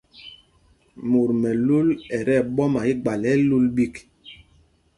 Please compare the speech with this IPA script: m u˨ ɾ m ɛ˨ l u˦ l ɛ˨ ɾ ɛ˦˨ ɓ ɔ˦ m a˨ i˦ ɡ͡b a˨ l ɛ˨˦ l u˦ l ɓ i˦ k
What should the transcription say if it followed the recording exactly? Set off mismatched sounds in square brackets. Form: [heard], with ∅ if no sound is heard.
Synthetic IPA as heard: m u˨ ɾ m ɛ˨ l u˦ l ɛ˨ ɾ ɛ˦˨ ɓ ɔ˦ m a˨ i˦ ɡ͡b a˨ l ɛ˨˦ l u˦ l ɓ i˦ k

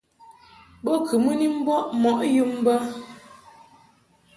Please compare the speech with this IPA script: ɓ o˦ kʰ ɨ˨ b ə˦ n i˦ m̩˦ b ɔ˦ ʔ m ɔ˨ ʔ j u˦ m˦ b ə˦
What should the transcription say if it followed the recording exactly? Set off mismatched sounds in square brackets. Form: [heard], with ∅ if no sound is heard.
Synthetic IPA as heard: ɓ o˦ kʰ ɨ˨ [m] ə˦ n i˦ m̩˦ b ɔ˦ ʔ m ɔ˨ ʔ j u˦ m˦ b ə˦

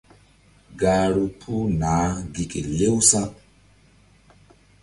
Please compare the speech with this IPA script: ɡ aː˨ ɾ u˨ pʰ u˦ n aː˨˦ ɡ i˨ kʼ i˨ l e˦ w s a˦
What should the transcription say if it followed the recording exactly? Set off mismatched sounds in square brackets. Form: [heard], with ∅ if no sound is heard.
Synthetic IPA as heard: ɡ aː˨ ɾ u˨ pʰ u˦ n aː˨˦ ɡ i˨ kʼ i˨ l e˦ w s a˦

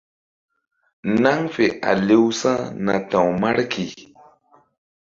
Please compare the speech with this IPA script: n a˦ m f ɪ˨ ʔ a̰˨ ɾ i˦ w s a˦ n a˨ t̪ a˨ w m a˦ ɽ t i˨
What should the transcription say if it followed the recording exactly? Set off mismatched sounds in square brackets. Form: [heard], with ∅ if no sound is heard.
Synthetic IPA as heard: n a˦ [ŋ] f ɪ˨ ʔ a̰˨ [l] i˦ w s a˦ n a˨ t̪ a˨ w m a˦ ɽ [k] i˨

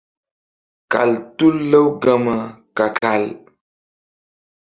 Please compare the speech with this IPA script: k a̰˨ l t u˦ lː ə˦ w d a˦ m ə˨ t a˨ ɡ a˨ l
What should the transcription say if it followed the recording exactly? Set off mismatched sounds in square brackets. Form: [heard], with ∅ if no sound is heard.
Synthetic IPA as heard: k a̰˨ l t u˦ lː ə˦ w [ɡ] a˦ m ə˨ [k] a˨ [k] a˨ l

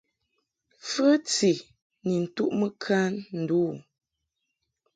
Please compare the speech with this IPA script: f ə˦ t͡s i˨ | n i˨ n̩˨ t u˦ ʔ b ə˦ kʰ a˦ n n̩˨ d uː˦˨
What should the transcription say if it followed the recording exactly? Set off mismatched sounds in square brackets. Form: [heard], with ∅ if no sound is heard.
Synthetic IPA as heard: f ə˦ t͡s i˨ | n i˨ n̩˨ t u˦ ʔ [m] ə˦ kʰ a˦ n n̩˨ d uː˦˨

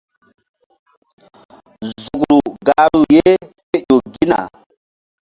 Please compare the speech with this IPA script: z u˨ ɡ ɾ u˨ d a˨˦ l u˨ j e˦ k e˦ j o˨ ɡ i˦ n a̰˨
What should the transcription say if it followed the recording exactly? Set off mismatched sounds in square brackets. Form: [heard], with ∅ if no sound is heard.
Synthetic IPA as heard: z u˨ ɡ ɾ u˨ [ɡ] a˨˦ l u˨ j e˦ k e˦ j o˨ ɡ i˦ n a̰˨

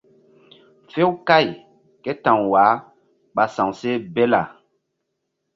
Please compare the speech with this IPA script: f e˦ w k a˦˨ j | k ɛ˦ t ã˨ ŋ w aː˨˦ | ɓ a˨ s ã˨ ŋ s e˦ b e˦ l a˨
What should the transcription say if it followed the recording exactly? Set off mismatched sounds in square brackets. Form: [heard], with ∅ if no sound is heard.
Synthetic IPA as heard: f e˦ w k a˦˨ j | k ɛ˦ t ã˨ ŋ w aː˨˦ | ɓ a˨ s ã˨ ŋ s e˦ b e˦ l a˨

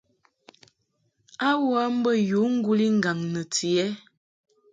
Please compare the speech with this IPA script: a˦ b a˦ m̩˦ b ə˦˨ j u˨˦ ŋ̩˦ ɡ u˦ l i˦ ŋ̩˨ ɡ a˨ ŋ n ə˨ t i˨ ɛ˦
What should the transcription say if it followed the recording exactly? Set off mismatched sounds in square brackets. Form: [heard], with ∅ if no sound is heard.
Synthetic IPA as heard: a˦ [w] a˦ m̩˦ b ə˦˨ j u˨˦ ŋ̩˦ ɡ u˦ l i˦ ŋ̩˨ ɡ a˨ ŋ n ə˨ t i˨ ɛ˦

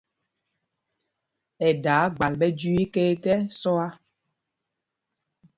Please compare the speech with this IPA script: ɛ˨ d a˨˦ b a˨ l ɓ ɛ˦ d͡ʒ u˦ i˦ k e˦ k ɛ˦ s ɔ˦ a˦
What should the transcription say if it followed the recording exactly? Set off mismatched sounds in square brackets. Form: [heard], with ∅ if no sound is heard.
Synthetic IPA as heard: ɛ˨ d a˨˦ [ɡ͡b] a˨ l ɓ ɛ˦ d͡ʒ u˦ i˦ k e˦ k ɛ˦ s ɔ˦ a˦

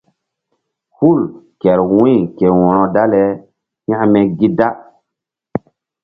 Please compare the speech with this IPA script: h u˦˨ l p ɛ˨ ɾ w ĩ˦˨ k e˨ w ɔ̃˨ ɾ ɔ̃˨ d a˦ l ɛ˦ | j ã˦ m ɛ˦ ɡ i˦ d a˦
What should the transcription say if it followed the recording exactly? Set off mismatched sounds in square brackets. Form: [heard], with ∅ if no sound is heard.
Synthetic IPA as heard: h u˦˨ l [k] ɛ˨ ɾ w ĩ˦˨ k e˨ w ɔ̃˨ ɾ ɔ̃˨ d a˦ l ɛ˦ | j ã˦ m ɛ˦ ɡ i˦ d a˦

